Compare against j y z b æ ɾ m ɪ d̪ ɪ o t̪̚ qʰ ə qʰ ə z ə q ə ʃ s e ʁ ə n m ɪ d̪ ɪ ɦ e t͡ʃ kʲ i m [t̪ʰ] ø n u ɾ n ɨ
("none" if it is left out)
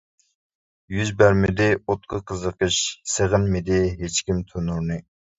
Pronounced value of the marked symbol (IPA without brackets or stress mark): t̪ʰ